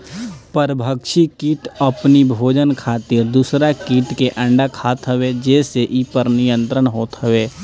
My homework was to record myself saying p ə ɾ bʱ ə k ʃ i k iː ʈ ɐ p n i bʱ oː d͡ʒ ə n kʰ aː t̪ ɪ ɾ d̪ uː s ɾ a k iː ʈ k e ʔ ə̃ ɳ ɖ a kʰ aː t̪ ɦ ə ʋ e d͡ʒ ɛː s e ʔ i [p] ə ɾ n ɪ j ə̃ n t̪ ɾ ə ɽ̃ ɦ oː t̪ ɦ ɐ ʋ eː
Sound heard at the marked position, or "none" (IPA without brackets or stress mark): p